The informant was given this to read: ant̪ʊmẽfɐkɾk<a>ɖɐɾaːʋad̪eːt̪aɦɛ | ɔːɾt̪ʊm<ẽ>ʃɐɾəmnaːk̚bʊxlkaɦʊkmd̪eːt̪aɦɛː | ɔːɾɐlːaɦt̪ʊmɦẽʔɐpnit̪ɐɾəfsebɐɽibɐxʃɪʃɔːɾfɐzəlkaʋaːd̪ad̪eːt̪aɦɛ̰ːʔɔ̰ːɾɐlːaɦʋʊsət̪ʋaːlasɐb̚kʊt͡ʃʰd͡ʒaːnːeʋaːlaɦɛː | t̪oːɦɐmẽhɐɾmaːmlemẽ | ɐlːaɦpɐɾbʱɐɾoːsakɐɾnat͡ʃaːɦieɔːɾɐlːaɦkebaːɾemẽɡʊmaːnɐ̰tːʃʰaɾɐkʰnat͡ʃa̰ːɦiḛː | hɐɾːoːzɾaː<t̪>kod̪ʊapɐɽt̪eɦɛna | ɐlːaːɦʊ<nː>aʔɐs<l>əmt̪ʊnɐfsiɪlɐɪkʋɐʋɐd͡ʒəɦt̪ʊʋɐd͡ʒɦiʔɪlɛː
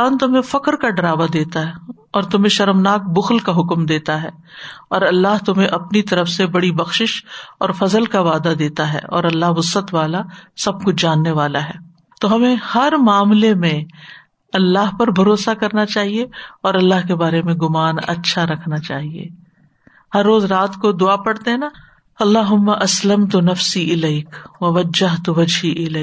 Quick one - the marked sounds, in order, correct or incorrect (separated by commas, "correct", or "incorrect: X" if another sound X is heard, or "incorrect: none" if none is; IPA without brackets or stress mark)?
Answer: correct, correct, correct, incorrect: mː, correct